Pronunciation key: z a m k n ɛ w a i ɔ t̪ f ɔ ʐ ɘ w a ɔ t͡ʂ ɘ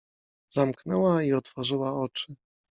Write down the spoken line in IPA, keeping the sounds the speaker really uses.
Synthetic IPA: z a m k n ɛ w a i ɔ t̪ f ɔ ʐ ɘ w a ɔ t͡ʂ ɘ